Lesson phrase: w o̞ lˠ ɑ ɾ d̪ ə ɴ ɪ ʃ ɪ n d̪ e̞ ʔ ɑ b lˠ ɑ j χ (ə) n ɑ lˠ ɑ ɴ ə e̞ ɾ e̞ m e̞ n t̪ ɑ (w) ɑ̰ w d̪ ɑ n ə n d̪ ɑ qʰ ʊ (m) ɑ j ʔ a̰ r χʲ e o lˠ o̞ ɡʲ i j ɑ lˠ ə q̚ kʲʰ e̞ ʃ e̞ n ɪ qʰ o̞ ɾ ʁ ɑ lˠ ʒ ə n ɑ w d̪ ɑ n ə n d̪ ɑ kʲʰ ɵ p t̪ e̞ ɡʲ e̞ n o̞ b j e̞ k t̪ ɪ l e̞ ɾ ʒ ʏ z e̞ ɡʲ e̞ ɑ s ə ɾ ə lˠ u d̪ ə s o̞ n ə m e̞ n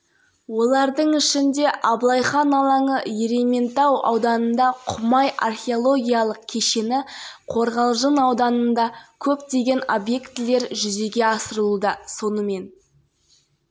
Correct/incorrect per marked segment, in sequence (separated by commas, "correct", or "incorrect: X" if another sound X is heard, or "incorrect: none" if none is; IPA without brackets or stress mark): incorrect: ɑ, correct, correct